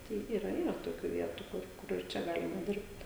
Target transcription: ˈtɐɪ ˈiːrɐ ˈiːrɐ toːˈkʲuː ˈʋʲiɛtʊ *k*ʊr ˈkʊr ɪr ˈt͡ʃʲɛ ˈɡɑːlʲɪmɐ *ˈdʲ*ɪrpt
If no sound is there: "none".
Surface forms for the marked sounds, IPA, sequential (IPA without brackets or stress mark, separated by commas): k, dʲ